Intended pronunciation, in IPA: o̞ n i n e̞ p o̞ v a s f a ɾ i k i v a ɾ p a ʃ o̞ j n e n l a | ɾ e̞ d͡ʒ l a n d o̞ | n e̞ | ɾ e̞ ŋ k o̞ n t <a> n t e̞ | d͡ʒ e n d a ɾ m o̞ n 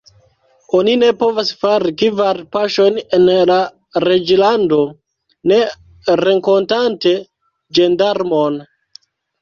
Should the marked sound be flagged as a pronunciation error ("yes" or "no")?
no